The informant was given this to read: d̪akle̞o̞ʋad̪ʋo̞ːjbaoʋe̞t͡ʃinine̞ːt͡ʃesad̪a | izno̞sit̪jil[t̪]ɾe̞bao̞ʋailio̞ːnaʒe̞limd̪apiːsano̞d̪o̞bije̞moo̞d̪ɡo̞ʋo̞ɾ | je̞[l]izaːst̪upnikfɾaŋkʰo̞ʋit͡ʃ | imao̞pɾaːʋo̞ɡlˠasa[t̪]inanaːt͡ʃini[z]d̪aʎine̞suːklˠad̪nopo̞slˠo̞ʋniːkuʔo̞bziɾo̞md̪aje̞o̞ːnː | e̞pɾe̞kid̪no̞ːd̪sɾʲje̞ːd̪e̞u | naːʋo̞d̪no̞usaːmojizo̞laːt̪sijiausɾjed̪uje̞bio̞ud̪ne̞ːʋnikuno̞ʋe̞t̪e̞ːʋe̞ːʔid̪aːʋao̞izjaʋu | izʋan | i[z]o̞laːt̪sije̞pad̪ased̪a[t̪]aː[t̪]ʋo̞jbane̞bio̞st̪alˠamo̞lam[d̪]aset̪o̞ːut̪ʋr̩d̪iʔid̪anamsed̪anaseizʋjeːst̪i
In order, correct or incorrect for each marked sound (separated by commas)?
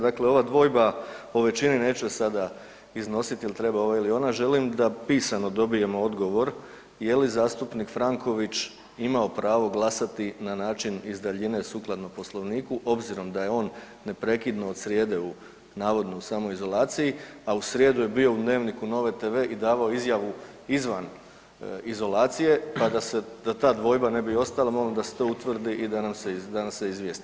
correct, correct, correct, correct, correct, correct, incorrect, correct